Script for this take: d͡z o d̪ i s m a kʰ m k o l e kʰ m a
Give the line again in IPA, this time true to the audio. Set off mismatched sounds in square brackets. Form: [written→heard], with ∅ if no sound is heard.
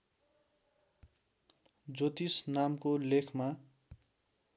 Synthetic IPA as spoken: d͡z o [d̪→t̪] i s [m→n] a [kʰ→∅] m k o l e kʰ m a